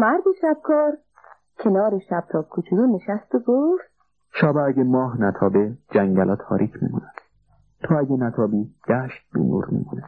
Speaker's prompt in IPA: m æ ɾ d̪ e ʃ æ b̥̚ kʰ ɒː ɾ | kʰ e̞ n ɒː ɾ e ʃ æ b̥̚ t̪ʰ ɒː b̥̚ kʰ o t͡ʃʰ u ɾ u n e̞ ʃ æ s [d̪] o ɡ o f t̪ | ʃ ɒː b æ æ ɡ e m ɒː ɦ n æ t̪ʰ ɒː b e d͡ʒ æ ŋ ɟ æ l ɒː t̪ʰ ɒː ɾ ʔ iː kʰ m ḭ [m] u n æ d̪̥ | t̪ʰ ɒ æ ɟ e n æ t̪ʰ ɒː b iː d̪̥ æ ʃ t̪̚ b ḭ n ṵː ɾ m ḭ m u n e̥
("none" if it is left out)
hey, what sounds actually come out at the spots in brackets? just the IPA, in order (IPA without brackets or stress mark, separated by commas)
t̪, m